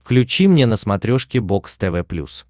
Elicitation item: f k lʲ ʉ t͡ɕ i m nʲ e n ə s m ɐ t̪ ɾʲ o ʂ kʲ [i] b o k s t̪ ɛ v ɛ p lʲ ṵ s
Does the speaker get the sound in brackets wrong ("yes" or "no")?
yes